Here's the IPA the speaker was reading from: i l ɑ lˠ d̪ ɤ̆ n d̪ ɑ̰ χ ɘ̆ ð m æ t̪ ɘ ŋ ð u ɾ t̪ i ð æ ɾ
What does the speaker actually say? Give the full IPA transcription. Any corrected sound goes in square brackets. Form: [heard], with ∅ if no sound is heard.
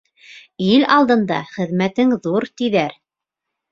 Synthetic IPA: i l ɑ lˠ d̪ ɤ̆ n d̪ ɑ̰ χ ɘ̆ ð m æ t̪ ɘ ŋ ð u ɾ t̪ i ð æ ɾ